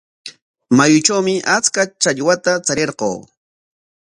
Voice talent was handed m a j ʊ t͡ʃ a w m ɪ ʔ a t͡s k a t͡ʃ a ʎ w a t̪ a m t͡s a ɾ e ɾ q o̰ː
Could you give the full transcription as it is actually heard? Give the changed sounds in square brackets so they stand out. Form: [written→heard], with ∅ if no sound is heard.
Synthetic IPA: m a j ʊ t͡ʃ a w m ɪ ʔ a t͡s k a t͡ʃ a ʎ w a t̪ a [m→∅] t͡s a ɾ e ɾ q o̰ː